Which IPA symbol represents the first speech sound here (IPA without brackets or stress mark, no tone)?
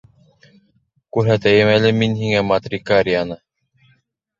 k